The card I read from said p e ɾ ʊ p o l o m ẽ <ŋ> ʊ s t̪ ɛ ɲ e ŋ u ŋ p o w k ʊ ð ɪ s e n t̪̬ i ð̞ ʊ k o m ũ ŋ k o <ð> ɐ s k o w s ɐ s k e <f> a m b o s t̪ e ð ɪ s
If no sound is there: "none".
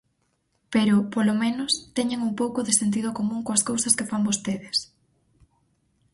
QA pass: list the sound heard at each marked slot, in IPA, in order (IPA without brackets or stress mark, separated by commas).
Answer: n, none, f